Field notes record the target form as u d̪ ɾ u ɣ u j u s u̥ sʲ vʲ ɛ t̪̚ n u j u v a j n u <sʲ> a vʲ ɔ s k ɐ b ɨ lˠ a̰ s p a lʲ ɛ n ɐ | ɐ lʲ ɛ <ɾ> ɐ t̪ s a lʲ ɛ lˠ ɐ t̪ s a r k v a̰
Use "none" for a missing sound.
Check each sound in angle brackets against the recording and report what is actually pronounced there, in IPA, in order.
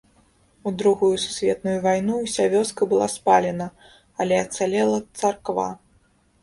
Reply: sʲ, none

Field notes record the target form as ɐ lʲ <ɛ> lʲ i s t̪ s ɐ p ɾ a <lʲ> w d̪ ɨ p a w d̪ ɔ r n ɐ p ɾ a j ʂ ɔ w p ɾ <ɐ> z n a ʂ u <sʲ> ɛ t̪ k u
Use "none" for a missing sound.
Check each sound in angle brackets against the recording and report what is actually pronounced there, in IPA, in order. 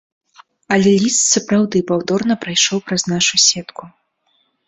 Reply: ɛ, none, ɐ, sʲ

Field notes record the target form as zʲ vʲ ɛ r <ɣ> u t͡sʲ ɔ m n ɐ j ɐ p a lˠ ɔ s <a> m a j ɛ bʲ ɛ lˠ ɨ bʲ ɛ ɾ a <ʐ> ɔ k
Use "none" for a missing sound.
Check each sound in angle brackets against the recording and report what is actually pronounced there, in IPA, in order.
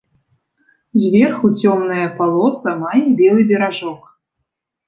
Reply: x, ɐ, ʐ

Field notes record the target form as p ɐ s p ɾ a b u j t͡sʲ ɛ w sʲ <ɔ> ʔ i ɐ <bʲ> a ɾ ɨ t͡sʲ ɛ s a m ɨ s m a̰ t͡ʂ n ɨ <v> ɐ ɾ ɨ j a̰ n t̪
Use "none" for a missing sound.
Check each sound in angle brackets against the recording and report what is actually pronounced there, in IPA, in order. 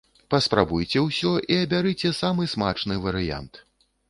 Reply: ɔ, bʲ, v

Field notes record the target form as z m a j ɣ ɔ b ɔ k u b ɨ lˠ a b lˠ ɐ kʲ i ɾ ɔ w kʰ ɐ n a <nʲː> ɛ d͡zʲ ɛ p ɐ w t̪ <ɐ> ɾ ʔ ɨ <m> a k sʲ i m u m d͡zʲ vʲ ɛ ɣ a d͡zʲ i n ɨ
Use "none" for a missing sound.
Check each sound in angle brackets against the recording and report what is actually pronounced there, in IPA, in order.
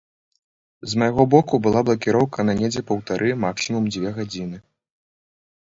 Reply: nʲ, a, m

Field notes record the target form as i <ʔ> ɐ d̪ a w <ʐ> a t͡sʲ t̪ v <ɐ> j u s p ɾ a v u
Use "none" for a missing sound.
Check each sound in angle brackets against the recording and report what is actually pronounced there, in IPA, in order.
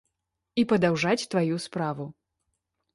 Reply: p, ʐ, a

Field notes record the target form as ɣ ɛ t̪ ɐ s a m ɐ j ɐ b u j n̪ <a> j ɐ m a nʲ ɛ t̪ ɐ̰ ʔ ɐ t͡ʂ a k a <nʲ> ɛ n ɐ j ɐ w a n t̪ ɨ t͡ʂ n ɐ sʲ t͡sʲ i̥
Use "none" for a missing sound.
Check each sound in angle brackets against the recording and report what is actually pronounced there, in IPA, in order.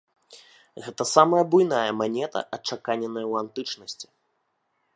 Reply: a, nʲ

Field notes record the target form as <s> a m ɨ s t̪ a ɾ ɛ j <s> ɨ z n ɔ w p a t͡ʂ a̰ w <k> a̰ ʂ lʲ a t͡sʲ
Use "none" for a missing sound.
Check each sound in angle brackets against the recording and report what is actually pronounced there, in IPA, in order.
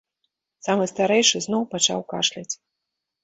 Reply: s, ʂ, k

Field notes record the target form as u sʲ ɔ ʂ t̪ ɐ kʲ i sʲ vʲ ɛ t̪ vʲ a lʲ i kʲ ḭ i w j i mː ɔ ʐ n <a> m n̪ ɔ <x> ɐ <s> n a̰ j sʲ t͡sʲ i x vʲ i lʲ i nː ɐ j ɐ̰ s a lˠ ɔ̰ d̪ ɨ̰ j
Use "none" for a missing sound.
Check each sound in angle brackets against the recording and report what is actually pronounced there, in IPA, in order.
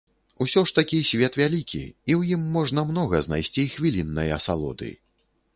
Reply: ɐ, ɣ, z

